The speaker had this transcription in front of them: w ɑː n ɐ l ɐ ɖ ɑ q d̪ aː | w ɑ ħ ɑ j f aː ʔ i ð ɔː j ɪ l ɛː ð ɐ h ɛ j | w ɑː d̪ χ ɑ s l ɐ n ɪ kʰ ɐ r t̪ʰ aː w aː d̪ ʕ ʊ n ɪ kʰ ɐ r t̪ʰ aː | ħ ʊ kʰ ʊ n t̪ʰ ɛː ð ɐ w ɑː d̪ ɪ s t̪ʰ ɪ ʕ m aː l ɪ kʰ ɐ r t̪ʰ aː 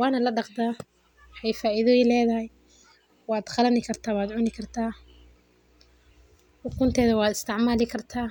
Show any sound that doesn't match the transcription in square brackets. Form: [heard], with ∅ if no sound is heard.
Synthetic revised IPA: w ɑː n ɐ l ɐ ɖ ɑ q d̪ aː | w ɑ ħ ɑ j f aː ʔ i ð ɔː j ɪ l ɛː ð ɐ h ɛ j | w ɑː d̪ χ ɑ [∅] l ɐ n ɪ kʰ ɐ r t̪ʰ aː w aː d̪ ʕ ʊ n ɪ kʰ ɐ r t̪ʰ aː | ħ ʊ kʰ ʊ n t̪ʰ ɛː ð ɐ w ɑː d̪ ɪ s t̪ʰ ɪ ʕ m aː l ɪ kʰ ɐ r t̪ʰ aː